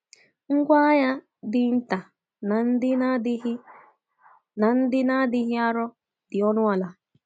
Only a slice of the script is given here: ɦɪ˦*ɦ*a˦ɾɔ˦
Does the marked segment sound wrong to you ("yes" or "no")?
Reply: yes